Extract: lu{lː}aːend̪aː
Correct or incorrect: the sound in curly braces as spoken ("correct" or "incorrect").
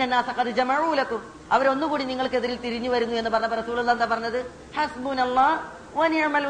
correct